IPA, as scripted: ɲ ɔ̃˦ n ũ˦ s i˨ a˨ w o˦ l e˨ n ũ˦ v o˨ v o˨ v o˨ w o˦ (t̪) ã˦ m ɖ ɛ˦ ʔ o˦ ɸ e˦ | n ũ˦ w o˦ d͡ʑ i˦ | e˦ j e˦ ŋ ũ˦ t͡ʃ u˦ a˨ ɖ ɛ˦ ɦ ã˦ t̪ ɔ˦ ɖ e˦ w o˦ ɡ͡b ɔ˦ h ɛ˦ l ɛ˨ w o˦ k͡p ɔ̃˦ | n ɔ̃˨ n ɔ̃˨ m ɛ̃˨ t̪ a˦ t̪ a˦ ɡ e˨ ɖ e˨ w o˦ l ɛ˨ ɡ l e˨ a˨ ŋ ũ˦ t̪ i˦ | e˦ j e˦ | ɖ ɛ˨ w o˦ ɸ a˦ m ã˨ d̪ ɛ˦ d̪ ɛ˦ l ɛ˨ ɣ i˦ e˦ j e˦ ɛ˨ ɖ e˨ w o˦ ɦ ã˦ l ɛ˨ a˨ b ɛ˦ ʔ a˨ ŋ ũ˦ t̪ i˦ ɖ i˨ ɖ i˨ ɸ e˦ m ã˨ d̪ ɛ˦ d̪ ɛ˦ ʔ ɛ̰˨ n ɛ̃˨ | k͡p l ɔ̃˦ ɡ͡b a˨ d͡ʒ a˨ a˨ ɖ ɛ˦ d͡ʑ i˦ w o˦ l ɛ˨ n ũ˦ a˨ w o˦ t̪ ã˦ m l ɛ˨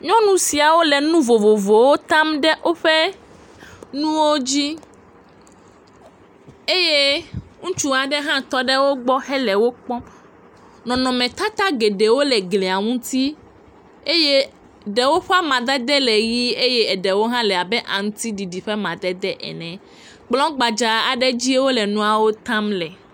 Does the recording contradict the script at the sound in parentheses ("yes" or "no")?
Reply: no